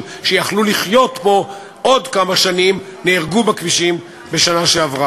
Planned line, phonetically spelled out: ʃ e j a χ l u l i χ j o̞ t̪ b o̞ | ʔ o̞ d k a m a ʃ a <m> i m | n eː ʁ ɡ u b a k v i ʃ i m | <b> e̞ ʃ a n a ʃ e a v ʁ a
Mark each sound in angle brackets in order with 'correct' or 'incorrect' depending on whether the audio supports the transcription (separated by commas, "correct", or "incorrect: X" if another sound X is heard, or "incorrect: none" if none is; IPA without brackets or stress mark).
incorrect: n, correct